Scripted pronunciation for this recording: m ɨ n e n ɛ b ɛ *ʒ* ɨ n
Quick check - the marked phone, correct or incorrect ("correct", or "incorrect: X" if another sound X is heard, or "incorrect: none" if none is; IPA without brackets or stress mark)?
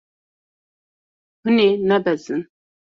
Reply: incorrect: z